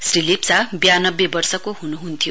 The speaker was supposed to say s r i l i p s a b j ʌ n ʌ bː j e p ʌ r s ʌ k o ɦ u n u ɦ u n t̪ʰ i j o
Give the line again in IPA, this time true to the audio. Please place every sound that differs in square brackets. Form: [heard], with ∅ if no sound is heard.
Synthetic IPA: s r i l i p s a b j [a] n ʌ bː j e [b] ʌ r s ʌ k o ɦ u n u ɦ u n t̪ʰ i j o